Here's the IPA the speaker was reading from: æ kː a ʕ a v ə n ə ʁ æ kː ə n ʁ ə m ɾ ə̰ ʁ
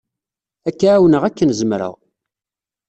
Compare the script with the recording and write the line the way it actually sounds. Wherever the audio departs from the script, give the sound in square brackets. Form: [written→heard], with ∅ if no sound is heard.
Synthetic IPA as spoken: æ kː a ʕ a [v→w] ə n ə ʁ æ kː ə n [ʁ→z] ə m ɾ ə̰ ʁ